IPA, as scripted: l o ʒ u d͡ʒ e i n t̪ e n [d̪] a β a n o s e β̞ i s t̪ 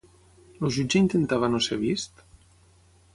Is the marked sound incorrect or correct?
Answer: incorrect